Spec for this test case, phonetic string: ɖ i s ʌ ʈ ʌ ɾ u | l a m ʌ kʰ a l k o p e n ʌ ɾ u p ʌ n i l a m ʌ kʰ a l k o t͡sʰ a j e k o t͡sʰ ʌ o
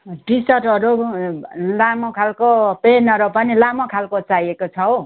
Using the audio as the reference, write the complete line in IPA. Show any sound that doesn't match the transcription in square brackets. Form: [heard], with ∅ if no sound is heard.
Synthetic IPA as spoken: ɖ i s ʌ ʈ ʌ ɾ u | l a m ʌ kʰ a l k o p e n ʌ ɾ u p ʌ n i l a m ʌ kʰ a l k o [t͡s] a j e k o t͡sʰ ʌ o

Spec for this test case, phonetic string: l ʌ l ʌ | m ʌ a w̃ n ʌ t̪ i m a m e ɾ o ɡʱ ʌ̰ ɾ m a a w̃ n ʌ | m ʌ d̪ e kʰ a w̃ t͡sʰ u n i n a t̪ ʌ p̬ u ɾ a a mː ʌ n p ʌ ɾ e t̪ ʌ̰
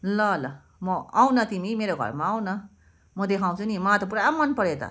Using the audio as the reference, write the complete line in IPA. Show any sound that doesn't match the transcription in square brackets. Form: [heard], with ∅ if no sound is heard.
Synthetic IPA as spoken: l ʌ l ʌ | m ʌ a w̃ n ʌ t̪ i m [i] m e ɾ o ɡʱ ʌ̰ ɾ m a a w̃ n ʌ | m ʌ d̪ e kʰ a w̃ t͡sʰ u n i [m] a t̪ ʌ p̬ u ɾ a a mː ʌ n p ʌ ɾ e t̪ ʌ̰

